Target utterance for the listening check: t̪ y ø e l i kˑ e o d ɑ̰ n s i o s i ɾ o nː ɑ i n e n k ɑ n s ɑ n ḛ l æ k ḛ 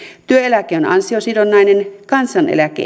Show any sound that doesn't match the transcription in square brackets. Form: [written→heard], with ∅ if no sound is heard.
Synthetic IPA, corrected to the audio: t̪ y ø e l [i→æ] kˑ e o [d→n] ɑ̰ n s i o s i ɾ o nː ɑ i n e n k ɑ n s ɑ n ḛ l æ k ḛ